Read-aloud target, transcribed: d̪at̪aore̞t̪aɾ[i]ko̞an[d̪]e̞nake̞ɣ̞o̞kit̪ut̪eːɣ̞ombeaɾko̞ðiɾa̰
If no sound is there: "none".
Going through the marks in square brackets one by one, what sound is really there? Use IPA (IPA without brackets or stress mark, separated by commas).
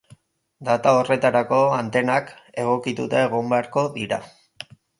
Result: a, t̪